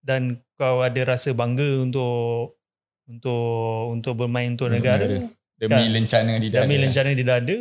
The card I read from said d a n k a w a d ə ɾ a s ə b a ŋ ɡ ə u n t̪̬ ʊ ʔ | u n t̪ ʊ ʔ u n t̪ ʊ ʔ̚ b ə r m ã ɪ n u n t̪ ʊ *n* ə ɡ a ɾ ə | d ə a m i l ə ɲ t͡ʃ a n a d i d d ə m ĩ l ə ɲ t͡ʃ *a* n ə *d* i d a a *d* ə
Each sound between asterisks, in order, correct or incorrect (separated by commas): correct, correct, correct, correct